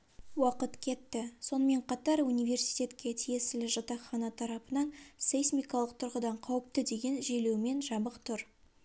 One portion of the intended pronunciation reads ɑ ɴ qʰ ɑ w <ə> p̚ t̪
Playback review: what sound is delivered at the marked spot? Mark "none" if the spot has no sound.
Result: ə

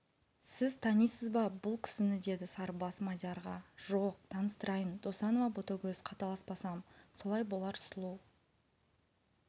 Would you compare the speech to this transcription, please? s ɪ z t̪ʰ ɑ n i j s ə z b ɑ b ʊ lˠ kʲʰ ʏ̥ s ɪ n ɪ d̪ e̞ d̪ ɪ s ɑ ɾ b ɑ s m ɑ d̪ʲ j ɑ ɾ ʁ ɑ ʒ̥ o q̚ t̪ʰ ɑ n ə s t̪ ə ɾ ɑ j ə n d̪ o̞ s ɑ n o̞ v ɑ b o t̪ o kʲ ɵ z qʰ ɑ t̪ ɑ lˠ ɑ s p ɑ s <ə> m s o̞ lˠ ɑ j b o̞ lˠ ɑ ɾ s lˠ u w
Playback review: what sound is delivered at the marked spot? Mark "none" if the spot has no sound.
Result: ɑ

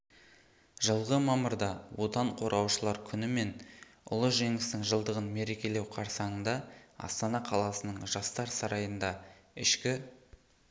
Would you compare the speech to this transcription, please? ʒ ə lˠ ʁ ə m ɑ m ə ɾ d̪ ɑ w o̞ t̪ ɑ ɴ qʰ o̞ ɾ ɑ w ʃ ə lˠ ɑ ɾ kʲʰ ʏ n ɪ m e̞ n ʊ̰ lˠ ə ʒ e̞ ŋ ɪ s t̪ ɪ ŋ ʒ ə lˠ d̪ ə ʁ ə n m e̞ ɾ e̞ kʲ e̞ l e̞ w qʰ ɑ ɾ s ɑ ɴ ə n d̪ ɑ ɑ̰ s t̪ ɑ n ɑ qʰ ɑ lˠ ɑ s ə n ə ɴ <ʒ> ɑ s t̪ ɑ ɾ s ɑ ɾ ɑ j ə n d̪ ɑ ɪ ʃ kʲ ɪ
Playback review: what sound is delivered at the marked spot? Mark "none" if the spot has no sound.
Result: ʒ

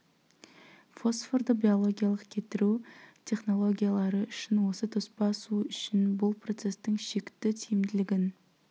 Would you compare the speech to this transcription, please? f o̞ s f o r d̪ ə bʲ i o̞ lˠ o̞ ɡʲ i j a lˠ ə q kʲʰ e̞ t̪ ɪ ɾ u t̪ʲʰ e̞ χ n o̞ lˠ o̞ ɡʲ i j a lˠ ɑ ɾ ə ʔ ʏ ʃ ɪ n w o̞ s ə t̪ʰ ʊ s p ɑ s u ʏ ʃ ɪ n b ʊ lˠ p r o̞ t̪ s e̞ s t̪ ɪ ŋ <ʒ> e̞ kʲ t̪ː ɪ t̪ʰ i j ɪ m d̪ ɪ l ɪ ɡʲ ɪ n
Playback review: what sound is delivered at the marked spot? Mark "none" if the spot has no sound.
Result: ʃ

